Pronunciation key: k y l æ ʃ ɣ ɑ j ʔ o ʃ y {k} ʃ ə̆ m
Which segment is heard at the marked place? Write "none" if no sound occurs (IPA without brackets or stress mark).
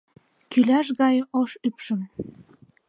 p